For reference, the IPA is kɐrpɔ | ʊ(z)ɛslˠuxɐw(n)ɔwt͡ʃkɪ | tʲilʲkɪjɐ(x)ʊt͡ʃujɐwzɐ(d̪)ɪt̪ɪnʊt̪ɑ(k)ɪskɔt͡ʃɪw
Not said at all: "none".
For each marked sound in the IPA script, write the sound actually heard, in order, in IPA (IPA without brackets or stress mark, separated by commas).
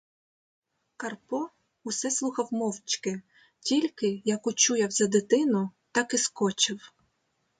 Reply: s, m, k, d̪, k